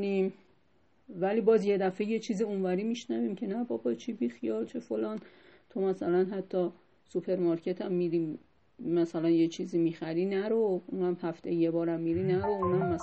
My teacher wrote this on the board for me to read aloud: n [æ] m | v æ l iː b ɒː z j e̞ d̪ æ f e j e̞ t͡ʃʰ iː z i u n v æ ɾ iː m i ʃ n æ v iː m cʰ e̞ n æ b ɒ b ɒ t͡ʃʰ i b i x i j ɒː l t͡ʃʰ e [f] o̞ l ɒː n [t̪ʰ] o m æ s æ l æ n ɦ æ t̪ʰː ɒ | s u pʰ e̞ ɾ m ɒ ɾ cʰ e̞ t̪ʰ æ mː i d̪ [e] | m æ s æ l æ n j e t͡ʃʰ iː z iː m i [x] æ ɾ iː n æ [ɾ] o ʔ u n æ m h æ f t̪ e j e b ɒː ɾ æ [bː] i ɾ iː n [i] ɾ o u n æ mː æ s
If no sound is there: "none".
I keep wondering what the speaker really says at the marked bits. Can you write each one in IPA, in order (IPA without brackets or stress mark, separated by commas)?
i, f, t̪ʰ, i, x, ɾ, mː, æ